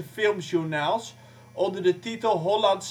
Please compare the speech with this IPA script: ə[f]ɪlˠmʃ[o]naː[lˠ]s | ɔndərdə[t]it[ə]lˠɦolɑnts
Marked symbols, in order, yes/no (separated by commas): yes, no, yes, yes, yes